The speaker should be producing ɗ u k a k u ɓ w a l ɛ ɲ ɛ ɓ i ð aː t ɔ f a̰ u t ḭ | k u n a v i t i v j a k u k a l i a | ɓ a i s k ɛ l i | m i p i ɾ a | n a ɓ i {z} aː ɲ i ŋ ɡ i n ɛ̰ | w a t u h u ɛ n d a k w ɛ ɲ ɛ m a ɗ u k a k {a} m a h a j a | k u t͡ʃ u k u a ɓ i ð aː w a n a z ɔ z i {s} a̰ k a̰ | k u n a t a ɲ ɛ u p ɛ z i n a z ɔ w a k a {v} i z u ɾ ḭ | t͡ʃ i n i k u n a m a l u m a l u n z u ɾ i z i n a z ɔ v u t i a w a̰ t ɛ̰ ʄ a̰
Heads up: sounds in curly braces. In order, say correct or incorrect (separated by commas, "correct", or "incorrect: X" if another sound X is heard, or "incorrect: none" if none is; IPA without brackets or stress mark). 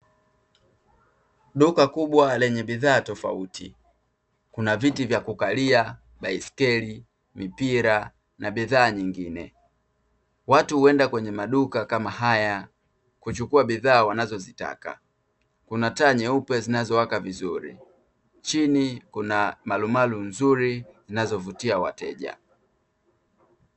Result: incorrect: ð, correct, incorrect: t, correct